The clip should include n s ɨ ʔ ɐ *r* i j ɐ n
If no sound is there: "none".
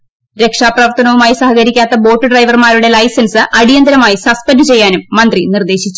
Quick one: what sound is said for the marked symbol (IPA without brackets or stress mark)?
ɽ